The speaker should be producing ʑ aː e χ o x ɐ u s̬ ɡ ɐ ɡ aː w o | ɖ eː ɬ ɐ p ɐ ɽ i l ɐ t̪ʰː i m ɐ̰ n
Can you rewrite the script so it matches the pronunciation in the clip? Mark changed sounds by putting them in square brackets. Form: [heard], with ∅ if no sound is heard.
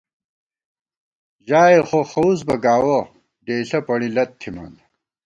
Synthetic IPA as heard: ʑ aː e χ o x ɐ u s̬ [b] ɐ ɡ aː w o | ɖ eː ɬ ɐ p ɐ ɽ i l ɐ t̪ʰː i m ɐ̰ n